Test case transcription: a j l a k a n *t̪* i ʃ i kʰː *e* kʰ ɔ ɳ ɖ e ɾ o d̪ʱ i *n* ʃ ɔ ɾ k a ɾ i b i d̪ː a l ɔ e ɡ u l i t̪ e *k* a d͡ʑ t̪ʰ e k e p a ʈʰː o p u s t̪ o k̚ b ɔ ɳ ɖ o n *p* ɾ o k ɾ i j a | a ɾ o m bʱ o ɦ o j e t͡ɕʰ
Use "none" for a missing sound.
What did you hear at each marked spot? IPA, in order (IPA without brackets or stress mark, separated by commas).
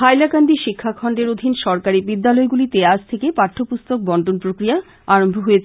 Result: d̪, a, n, none, p